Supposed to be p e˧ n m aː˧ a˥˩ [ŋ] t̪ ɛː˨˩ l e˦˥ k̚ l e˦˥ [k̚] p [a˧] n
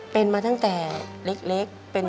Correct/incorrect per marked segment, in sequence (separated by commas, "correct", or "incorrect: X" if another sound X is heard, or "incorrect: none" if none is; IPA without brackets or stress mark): correct, correct, incorrect: e˧